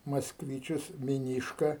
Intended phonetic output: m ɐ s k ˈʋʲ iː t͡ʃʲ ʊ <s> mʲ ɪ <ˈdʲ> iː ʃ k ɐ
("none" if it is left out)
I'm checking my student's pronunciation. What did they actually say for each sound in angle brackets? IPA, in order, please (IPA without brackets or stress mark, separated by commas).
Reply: s, nʲ